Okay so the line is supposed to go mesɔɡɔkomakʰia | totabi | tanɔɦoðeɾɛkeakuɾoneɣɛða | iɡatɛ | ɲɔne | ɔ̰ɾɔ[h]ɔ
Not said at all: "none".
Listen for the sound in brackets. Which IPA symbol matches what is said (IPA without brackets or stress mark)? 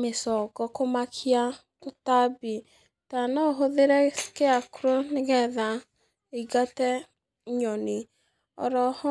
h